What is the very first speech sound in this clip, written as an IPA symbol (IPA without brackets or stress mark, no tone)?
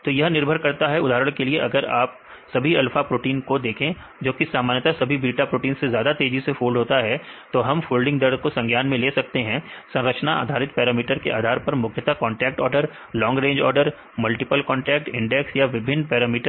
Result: t̪